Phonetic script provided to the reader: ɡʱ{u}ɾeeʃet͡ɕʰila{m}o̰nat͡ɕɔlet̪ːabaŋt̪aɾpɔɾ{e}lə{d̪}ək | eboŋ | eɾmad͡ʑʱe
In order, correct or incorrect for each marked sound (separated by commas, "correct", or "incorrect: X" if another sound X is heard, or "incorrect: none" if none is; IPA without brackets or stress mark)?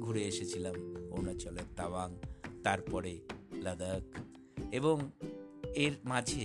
correct, correct, correct, correct